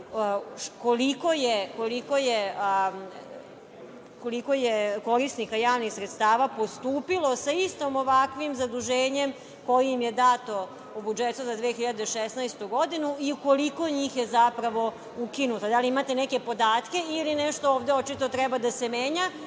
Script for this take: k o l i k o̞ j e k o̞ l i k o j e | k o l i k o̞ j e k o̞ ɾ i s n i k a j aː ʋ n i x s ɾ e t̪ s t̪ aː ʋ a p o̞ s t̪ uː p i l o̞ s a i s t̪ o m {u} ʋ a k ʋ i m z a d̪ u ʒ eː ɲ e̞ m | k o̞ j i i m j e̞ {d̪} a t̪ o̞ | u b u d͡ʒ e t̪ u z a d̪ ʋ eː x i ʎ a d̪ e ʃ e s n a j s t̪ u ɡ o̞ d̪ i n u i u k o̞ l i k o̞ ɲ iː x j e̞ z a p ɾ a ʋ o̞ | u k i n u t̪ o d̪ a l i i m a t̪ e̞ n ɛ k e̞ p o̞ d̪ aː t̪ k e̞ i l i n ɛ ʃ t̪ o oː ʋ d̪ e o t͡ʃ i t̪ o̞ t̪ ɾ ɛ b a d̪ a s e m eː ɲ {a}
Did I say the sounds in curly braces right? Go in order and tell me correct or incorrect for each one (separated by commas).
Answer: incorrect, correct, correct